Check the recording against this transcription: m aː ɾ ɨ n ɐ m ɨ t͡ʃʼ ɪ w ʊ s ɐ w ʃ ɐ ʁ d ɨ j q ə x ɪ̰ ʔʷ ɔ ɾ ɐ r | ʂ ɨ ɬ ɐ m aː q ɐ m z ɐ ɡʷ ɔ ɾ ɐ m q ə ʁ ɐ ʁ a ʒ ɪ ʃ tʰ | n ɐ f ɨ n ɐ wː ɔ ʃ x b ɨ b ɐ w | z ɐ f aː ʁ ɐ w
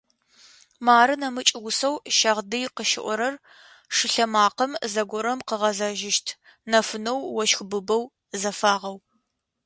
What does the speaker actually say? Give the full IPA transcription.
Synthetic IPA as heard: m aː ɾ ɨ n ɐ m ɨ t͡ʃʼ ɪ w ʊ s ɐ w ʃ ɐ ʁ d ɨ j q ə ʃ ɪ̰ ʔʷ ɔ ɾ ɐ r | ʂ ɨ ɬ ɐ m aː q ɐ m z ɐ ɡʷ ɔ ɾ ɐ m q ə ʁ ɐ z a ʒ ɪ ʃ tʰ | n ɐ f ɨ n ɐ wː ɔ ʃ x b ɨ b ɐ w | z ɐ f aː ʁ ɐ w